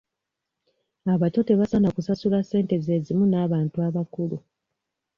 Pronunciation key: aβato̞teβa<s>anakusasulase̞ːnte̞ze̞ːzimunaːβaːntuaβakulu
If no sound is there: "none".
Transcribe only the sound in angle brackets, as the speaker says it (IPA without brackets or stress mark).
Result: s